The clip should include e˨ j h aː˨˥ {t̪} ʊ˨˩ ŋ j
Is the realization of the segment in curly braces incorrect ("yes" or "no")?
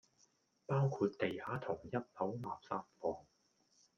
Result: yes